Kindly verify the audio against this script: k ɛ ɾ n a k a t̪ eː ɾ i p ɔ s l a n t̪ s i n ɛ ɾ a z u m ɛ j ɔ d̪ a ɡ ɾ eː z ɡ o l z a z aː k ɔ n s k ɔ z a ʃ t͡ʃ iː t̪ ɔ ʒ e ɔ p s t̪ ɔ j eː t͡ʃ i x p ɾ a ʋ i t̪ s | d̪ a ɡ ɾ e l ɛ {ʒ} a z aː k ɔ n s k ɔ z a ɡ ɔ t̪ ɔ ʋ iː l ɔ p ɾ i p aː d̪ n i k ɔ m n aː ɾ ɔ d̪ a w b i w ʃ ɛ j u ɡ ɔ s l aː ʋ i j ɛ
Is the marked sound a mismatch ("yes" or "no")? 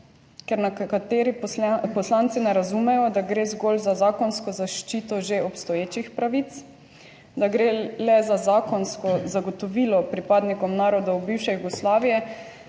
yes